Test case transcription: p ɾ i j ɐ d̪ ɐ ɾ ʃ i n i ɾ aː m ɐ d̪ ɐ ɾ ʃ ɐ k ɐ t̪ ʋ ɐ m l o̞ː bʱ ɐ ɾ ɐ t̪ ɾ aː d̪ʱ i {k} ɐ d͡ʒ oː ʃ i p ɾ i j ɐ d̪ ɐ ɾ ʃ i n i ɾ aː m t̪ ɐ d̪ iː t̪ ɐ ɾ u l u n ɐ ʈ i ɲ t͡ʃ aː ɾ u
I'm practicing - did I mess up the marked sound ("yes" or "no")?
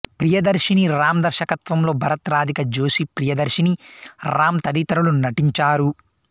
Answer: no